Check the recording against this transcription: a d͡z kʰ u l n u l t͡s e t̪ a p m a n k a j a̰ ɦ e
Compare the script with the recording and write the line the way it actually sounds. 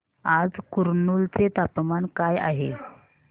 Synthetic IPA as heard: a d͡z k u ɾ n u l t͡s e t̪ a p m a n k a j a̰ ɦ e

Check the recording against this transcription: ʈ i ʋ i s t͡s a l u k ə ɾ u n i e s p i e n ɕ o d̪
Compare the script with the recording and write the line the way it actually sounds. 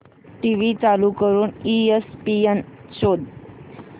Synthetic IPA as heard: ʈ i ʋ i t͡s a l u k ə ɾ uː n i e s p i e n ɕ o d̪

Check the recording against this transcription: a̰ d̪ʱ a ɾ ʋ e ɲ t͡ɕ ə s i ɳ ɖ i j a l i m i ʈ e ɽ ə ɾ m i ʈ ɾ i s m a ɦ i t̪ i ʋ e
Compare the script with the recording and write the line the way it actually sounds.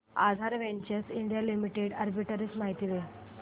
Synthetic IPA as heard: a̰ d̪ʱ a ɾ ʋ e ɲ t͡ɕ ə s i ɳ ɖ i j a l i m i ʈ e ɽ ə ɾ b i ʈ ɾ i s m a ɦ i t̪ i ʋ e

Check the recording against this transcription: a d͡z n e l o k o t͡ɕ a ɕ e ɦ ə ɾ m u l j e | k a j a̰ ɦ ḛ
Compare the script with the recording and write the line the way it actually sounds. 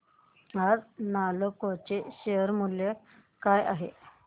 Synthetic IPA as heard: a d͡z n a l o k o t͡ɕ e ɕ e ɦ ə ɾ m u l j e | k a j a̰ ɦ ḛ

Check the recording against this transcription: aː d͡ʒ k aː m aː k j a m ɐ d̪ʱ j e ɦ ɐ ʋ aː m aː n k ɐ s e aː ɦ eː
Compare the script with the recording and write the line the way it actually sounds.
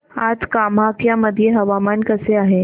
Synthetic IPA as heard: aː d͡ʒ k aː m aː k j a m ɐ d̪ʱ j e ɦ ɐ ʋ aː m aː n k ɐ s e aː ɦ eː

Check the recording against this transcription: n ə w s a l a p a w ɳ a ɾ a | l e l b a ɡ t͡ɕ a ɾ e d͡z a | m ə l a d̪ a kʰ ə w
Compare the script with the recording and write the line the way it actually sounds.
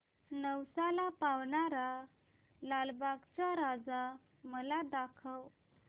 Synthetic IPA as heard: n ə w s a l a p a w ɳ a ɾ a | l a l b a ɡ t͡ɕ a ɾ a d͡z a | m ə l a d̪ a kʰ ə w

